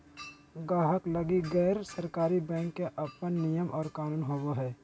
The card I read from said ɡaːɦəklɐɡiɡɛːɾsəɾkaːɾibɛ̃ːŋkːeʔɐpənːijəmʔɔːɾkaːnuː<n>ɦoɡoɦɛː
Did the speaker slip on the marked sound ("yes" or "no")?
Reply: no